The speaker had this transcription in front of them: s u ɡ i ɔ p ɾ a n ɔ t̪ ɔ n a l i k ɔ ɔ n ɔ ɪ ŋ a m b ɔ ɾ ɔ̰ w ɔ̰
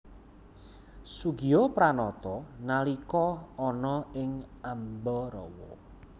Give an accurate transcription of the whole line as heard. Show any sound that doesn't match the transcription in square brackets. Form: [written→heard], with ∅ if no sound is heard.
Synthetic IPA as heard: s u ɡ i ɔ p ɾ a n ɔ t̪ ɔ n a l i k ɔ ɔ n ɔ ɪ ŋ a m b ɔ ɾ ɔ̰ w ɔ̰